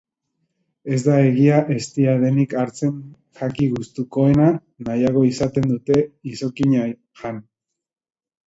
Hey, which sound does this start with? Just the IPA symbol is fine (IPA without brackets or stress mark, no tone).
e̞